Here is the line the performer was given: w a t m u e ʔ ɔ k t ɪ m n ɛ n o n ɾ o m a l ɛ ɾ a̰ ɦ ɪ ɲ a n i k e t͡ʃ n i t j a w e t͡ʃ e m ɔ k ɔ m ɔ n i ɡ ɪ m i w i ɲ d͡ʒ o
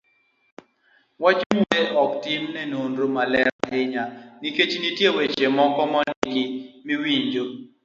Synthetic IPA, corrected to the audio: w a t͡ʃ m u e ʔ ɔ k t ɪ m n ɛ n o n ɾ o m a l ɛ ɾ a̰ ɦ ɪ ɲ a n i k e t͡ʃ n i t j e w e t͡ʃ e m ɔ k ɔ m ɔ n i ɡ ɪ m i w i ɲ d͡ʒ o